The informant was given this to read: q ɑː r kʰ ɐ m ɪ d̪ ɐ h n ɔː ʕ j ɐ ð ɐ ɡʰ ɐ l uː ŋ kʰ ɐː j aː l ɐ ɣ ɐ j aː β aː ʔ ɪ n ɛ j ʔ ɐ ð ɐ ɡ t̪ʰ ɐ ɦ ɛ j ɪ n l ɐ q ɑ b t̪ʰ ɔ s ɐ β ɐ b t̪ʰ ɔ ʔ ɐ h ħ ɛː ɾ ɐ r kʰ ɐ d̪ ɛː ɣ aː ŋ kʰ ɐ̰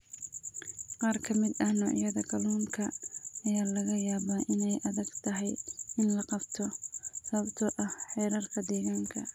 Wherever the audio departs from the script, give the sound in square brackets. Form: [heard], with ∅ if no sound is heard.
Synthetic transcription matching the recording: q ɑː r kʰ ɐ m ɪ d̪ ɐ h n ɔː ʕ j ɐ ð ɐ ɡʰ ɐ l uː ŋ kʰ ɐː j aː l ɐ ɣ ɐ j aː β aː ʔ ɪ n ɛ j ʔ ɐ ð ɐ ɡ t̪ʰ ɐ ɦ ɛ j ɪ n l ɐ q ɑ b t̪ʰ ɔ s ɐ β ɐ b t̪ʰ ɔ ʔ ɐ h ħ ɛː ɾ ɐ r kʰ ɐ d̪ ɛː ɣ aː ŋ kʰ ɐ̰